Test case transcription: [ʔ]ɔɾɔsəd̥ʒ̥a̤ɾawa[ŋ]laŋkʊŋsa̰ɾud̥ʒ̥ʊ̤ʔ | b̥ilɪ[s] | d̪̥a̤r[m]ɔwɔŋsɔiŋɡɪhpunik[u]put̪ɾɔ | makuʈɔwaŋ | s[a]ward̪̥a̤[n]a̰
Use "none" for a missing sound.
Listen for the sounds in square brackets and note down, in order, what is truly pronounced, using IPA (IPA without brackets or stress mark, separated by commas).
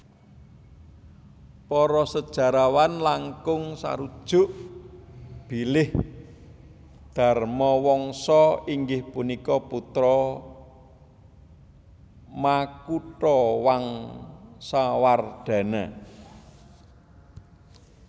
p, n, h, m, ɔ, a, n